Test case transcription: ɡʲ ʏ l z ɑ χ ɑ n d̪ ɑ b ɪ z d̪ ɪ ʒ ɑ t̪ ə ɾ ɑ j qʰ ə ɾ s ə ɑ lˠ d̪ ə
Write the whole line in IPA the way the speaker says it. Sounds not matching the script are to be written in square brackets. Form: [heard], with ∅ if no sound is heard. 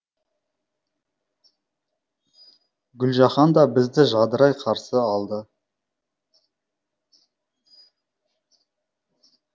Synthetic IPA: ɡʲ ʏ l [ʒ] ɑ χ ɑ n d̪ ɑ b ɪ z d̪ ɪ ʒ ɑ [d̪] ə ɾ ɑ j qʰ [ɑ] ɾ s ə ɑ lˠ d̪ ə

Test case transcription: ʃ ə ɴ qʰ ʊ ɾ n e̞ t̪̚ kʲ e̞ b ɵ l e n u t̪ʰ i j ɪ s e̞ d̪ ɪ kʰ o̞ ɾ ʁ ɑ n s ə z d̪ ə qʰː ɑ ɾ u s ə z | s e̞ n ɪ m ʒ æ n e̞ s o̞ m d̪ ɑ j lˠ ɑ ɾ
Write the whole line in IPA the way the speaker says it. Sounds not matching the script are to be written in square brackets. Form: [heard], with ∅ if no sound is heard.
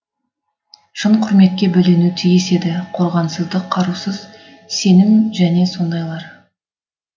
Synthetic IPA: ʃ ə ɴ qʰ ʊ ɾ [m] e̞ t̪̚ kʲ e̞ b ɵ l e n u t̪ʰ i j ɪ s e̞ d̪ ɪ [qʰ] o̞ ɾ ʁ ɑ n s ə z d̪ ə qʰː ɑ ɾ u s ə z | s e̞ n ɪ m ʒ æ n e̞ s o̞ [n] d̪ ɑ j lˠ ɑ ɾ

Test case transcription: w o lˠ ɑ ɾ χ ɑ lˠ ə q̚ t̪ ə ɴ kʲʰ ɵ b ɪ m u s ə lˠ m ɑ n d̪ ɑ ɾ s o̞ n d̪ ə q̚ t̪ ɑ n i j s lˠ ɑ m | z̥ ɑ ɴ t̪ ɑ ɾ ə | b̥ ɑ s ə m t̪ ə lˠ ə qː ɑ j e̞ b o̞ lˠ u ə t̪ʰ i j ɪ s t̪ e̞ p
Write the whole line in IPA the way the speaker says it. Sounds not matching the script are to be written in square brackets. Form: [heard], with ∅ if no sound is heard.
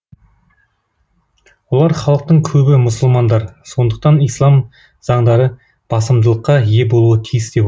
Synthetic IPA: w o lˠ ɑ ɾ χ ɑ lˠ ə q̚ t̪ ə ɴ kʲʰ ɵ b ɪ m [ʊ] s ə lˠ m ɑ n d̪ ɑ ɾ s o̞ n d̪ ə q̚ t̪ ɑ n i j s lˠ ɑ m | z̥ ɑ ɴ [d̪] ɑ ɾ ə | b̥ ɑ s ə m [d̪] ə lˠ ə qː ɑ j e̞ b o̞ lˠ u ə t̪ʰ i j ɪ s [d̪] e̞ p

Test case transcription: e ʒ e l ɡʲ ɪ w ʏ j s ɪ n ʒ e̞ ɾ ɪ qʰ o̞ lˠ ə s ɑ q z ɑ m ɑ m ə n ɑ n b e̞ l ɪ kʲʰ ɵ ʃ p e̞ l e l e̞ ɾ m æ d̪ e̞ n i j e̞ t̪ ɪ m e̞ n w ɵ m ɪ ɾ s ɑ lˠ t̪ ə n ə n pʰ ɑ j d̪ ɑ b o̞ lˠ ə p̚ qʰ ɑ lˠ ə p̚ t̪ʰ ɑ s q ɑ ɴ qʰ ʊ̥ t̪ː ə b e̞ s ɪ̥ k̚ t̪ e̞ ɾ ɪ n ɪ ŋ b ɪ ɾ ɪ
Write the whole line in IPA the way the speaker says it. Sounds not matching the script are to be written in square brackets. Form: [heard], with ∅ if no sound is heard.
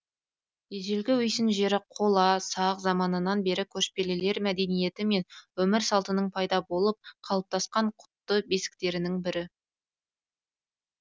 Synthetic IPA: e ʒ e l ɡʲ ɪ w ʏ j s ɪ n ʒ e̞ ɾ ɪ qʰ o̞ lˠ [ɑ] s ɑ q z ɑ m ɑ [n] ə n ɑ n b e̞ [ɾ] ɪ kʲʰ ɵ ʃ p e̞ l e l e̞ ɾ m æ d̪ e̞ n i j e̞ t̪ ɪ m e̞ n w ɵ m ɪ ɾ s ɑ lˠ t̪ ə n ə [ɴ] pʰ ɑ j d̪ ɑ b o̞ lˠ ə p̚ qʰ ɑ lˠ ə p̚ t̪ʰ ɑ s q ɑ ɴ qʰ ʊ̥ t̪ː ə b e̞ s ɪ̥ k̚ t̪ e̞ ɾ ɪ n ɪ ŋ b ɪ ɾ ɪ

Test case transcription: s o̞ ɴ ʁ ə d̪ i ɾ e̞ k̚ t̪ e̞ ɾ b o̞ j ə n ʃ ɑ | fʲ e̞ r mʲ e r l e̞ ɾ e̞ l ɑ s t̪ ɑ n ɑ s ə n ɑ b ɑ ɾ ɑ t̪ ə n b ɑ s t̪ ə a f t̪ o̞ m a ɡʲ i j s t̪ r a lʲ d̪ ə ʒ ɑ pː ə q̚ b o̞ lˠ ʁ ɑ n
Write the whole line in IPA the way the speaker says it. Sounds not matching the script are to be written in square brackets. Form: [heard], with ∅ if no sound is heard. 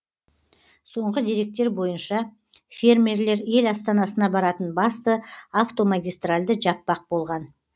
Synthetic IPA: s o̞ ɴ ʁ ə d̪ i ɾ e̞ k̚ t̪ e̞ ɾ b o̞ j ə n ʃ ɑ | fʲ e̞ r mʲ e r l e̞ ɾ e̞ l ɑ s t̪ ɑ n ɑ s ə n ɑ b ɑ ɾ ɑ t̪ ə n b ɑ s t̪ ə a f t̪ o̞ m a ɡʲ i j s t̪ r a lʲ d̪ ə ʒ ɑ pː [ɑ] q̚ b o̞ lˠ ʁ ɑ n

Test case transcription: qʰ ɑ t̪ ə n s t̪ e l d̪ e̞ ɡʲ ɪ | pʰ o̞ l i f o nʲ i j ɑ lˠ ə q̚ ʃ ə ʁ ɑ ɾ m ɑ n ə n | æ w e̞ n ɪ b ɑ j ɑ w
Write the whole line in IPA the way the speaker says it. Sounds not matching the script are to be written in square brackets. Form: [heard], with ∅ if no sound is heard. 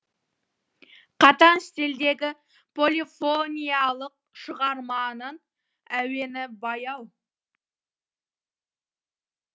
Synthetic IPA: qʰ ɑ t̪ [ɑ] n s t̪ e l d̪ e̞ ɡʲ ɪ | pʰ o̞ l i f o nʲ i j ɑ lˠ ə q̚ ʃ ə ʁ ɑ ɾ m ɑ n ə n | æ w e̞ n ɪ b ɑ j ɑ w

